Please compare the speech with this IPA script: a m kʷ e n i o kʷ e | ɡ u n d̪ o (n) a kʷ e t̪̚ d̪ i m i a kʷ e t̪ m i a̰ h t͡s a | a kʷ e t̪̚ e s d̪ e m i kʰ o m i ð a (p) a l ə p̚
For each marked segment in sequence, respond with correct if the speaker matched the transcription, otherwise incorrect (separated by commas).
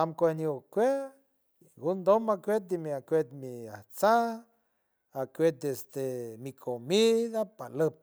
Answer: incorrect, correct